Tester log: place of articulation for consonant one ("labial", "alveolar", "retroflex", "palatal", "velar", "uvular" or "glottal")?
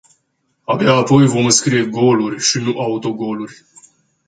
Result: labial